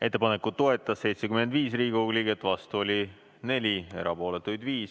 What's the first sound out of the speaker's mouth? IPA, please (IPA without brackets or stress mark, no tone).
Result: e̞